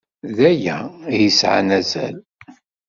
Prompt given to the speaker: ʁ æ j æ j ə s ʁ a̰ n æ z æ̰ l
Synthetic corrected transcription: ð æ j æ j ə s ʕ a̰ n æ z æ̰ l